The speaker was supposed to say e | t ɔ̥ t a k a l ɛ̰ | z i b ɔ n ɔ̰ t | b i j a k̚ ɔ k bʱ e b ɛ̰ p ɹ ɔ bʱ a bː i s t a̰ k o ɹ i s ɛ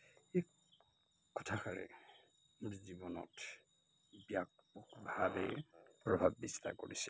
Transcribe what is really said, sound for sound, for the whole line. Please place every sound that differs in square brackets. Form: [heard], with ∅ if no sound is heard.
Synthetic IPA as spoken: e | [k] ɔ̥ [tʰ] a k a [ɹ] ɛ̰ | z i b ɔ n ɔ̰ t | b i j a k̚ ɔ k bʱ [a] b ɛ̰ p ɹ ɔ bʱ a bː i s t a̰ k o ɹ i s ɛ